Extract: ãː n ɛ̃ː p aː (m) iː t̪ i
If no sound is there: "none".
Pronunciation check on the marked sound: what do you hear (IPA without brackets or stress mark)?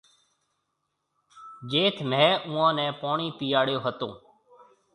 ɳ